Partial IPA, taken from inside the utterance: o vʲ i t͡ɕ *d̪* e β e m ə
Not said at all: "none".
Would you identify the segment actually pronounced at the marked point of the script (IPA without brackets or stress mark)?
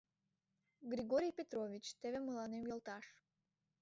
t̪